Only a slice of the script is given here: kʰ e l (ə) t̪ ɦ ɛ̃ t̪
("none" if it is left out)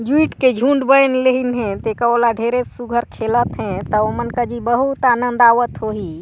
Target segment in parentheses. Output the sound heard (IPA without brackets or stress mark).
ə